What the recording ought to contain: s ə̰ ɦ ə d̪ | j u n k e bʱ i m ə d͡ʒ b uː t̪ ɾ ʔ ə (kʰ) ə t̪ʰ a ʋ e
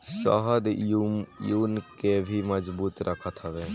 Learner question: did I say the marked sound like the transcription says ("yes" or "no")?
yes